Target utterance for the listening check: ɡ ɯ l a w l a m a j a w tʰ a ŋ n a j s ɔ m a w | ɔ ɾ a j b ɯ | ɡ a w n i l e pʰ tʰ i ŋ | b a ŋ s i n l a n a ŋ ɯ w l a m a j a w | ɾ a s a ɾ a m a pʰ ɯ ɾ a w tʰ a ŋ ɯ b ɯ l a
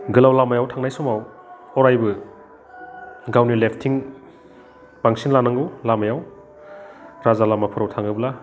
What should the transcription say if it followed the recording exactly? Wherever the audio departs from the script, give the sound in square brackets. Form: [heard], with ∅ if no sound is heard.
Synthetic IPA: ɡ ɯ l a w l a m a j a w tʰ a ŋ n a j s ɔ m a w | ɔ ɾ a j b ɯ | ɡ a w n i l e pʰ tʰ i ŋ | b a ŋ s i n l a n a ŋ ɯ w l a m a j a w | ɾ a [z] a [l] a m a pʰ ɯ ɾ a w tʰ a ŋ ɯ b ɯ l a